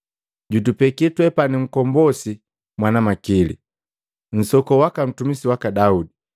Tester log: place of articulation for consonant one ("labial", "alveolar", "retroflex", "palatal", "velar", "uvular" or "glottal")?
palatal